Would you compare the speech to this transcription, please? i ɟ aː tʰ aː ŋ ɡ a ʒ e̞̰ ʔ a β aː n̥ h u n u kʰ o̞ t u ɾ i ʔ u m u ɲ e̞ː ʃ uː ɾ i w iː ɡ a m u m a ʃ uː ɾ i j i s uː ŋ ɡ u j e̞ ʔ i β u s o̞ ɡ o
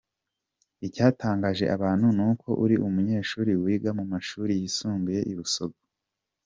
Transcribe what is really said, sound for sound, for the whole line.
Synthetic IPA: i c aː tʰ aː ŋ ɡ a ʒ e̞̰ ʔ a β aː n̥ h u n u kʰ o̞ ʔ u ɾ i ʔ u m u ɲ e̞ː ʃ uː ɾ i w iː ɡ a m u m a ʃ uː ɾ i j i s uː ŋ ɡ u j e̞ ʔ i β u s o̞ ɡ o